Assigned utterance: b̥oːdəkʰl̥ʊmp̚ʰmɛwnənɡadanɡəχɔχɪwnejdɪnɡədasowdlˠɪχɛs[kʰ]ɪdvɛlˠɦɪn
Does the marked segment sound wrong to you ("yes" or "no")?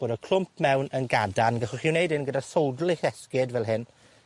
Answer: yes